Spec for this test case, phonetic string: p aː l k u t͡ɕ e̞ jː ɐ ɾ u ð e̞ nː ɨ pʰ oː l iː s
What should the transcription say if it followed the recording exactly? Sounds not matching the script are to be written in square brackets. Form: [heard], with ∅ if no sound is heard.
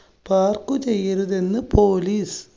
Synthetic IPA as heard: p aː [r] k u t͡ɕ e̞ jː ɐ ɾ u ð e̞ nː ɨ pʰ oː l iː s